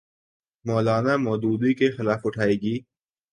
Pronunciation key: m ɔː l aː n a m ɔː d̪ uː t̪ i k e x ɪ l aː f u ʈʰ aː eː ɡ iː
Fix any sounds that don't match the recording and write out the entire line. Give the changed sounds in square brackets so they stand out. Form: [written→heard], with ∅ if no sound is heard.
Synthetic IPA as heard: m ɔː l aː n a m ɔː d̪ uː [t̪→d̪] i k e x ɪ l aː f [u→ʊ] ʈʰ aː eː ɡ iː